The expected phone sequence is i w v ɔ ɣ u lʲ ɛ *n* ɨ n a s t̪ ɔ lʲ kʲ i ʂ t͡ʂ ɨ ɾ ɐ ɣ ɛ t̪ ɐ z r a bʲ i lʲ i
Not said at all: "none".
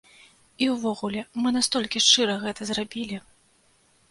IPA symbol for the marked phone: m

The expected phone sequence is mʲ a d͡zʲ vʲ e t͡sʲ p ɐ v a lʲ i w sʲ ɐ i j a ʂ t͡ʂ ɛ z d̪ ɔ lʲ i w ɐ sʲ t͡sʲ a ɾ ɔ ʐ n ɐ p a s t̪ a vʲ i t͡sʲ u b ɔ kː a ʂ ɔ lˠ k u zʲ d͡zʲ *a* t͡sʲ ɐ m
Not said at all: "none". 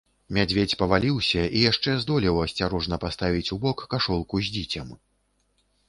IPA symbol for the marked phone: i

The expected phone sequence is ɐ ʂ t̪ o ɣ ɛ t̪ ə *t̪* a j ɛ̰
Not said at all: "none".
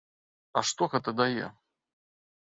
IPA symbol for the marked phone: d̪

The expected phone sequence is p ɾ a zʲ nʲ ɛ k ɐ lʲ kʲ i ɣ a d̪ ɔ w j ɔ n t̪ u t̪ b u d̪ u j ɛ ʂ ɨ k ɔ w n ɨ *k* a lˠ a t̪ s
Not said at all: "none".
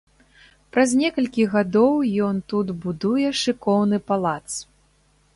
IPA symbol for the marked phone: p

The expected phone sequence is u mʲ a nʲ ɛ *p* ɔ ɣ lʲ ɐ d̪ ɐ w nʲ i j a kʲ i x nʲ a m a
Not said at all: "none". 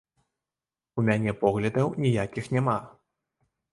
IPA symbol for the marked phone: p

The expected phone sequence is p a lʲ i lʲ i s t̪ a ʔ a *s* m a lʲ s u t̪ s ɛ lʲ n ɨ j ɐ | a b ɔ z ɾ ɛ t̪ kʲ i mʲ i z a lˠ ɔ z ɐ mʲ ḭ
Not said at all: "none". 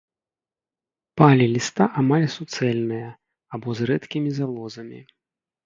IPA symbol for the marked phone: none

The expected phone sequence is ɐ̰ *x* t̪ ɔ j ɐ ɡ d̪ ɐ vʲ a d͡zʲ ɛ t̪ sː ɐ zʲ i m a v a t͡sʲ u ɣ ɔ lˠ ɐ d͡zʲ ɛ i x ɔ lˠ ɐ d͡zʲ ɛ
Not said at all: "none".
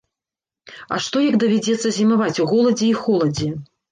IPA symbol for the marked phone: ʂ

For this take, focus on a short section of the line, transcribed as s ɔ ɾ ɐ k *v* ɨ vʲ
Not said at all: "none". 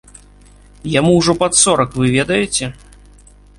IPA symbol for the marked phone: v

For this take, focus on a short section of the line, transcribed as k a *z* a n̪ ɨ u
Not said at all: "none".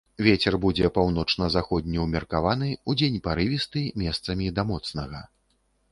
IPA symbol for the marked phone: v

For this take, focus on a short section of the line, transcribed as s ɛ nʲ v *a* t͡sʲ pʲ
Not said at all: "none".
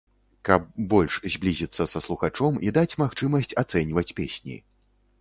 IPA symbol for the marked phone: ɐ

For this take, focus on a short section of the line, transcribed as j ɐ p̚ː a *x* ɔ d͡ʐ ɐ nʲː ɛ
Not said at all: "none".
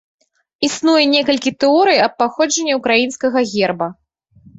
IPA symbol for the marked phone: x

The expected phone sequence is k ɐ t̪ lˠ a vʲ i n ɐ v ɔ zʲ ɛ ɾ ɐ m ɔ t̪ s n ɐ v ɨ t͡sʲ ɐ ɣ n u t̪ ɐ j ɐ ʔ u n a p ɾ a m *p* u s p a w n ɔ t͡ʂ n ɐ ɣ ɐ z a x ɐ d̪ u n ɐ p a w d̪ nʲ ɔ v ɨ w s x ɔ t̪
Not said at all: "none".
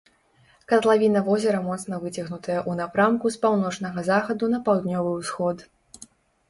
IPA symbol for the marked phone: k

